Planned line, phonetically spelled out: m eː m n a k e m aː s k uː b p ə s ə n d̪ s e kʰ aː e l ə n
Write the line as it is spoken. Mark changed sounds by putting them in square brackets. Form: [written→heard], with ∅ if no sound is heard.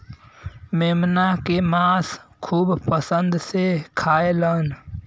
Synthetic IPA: m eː m n a k e m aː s [k→kʰ] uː b p ə s ə n d̪ s e kʰ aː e l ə n